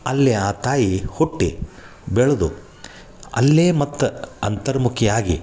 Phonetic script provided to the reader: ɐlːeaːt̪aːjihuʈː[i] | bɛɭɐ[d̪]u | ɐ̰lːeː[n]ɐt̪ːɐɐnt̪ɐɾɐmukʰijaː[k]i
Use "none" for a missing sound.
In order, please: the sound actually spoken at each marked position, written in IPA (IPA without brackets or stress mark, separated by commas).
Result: i, d̪, m, ɡ